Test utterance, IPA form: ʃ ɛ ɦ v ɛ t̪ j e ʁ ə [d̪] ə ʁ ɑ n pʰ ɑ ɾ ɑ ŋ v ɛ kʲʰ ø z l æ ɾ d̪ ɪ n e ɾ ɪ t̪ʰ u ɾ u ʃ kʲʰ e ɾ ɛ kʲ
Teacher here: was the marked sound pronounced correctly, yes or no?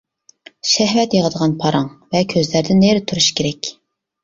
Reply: yes